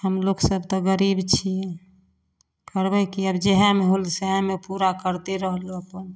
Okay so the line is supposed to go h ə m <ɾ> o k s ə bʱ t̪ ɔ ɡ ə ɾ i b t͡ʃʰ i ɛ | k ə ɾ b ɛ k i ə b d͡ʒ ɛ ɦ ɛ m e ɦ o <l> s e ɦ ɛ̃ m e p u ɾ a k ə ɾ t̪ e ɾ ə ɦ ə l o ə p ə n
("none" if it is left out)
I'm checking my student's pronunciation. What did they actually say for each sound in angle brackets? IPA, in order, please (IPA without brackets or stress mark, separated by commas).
l, l